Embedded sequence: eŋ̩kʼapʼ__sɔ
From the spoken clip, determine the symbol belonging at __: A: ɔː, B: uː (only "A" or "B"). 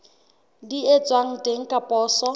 A